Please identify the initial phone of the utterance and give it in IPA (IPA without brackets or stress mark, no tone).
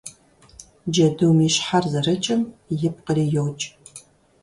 d͡ʒ